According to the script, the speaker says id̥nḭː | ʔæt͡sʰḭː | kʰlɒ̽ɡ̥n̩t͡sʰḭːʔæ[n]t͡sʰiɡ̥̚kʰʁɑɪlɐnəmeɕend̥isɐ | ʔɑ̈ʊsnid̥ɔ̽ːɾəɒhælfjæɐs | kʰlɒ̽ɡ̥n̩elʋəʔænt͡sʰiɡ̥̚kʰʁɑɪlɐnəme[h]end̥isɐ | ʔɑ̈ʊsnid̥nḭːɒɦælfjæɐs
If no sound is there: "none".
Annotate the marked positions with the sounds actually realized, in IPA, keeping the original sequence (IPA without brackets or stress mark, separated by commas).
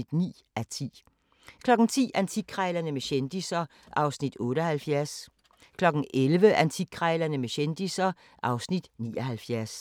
n, ɕ